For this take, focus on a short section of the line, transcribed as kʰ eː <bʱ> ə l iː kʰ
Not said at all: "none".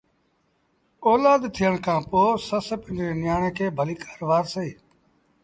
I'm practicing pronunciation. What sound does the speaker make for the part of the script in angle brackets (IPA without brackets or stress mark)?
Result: bʱ